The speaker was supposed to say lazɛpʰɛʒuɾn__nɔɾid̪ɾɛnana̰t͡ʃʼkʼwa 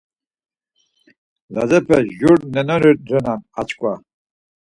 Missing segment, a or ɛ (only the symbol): ɛ